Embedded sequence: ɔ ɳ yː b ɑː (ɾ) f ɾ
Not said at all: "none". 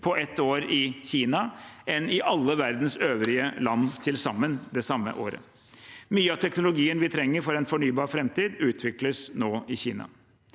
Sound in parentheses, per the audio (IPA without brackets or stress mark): ɾ